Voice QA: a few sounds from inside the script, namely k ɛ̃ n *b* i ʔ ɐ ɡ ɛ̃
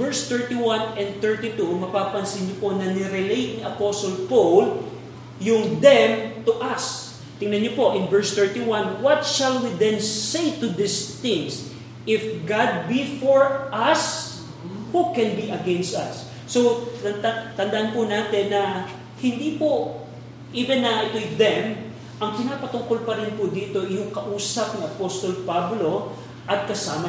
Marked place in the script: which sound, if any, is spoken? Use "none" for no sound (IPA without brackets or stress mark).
b